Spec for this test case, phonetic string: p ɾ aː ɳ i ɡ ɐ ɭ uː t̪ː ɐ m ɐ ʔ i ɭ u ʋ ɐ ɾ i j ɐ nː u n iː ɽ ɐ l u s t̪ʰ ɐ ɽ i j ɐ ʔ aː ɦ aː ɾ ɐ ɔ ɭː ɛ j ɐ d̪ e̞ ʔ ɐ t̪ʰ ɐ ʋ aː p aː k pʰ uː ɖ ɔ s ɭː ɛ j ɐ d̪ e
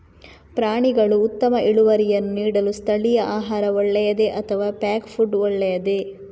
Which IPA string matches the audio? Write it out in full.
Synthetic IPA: p ɾ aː ɳ i ɡ ɐ ɭ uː t̪ː ɐ m ɐ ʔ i ɭ u ʋ ɐ ɾ i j ɐ nː u n iː ɽ ɐ l u s t̪ʰ ɐ ɭ i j ɐ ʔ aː ɦ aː ɾ ɐ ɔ ɭː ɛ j ɐ d̪ e̞ ʔ ɐ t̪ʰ ɐ ʋ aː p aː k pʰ u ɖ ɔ ɭː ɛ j ɐ d̪ e